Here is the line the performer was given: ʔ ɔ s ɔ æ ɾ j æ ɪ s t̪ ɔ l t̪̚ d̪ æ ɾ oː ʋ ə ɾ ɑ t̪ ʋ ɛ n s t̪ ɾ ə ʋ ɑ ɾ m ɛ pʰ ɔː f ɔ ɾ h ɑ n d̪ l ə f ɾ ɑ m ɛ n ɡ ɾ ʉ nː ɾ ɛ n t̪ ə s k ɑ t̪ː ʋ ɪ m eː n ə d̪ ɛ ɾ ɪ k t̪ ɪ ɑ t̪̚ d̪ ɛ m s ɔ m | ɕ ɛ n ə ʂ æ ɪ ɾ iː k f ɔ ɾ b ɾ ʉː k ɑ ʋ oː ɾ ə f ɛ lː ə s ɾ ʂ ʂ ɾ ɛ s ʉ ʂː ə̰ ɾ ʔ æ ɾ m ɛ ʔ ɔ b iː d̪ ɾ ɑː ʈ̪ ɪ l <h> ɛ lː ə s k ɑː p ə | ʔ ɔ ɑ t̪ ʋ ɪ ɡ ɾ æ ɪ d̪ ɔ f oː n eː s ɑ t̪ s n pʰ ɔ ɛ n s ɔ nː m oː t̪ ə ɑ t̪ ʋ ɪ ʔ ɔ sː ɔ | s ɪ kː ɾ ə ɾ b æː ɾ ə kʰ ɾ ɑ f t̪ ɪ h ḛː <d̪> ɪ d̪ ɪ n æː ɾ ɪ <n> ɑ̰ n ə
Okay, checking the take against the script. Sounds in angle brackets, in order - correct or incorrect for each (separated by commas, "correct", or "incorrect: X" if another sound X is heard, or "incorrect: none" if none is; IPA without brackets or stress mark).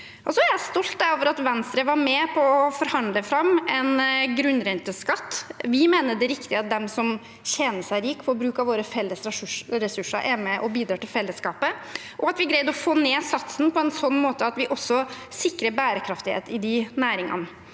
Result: incorrect: f, incorrect: t̪, incorrect: ŋ